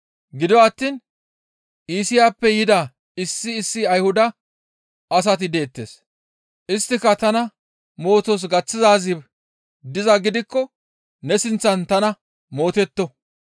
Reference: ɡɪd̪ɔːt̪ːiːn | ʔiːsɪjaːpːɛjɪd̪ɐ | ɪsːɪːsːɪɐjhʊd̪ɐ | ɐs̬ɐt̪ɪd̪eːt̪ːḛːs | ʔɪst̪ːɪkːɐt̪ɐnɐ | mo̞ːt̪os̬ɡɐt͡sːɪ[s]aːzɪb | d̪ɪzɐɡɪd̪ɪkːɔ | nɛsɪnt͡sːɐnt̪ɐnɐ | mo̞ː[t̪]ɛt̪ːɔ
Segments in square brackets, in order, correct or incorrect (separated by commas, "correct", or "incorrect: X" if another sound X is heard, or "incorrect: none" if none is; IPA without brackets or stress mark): incorrect: z, correct